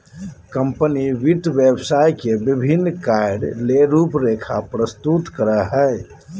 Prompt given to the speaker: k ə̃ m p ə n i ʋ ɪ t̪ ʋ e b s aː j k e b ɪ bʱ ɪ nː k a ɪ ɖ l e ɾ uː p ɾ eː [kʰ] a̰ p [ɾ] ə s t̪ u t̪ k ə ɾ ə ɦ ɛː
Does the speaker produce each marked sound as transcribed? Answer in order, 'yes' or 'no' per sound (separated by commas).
yes, yes